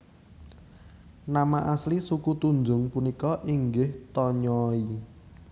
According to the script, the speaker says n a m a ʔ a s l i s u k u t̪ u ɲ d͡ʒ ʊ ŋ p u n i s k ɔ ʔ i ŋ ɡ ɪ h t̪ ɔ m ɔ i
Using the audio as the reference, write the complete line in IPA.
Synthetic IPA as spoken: n a m a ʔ a s l i s u k u t̪ u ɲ d͡ʒ ʊ ŋ p u n i k ɔ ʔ i ŋ ɡ ɪ h t̪ ɔ ɲ ɔ i